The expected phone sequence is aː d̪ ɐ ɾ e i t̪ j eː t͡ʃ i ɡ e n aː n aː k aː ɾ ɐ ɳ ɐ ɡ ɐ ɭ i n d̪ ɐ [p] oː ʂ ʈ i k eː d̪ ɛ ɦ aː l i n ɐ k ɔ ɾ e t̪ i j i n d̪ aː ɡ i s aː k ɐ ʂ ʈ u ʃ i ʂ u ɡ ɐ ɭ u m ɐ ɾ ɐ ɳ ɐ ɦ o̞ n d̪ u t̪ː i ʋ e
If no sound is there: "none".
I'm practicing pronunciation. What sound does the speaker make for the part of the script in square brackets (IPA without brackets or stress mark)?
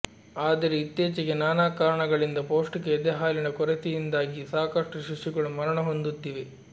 p